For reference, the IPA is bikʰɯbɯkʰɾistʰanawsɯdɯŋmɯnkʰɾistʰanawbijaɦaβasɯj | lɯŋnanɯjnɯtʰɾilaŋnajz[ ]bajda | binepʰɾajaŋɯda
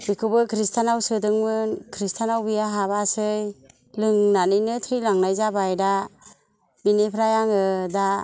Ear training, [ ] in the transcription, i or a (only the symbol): a